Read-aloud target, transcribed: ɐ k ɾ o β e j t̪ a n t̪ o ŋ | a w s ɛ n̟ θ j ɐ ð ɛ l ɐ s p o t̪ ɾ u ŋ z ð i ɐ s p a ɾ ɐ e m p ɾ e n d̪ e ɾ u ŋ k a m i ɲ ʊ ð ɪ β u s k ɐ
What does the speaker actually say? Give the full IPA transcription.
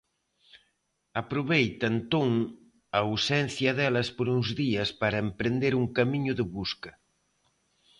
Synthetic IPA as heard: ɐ p ɾ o β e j t̪ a n t̪ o ŋ | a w s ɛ n̟ θ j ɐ ð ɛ l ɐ s p o ɾ u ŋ z ð i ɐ s p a ɾ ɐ e m p ɾ e n d̪ e ɾ u ŋ k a m i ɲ ʊ ð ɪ β u s k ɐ